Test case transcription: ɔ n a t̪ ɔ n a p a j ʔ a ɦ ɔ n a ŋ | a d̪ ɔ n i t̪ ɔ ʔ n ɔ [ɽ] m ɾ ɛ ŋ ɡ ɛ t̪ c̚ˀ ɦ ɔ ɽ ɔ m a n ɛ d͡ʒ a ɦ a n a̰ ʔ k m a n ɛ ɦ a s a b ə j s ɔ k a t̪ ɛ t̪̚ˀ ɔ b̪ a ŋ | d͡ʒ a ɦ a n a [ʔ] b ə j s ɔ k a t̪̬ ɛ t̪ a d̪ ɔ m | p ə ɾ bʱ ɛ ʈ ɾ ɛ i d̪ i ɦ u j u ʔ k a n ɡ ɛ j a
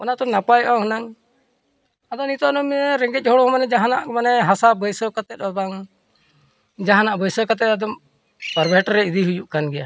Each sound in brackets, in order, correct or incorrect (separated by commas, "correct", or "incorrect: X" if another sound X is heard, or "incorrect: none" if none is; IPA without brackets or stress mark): incorrect: none, correct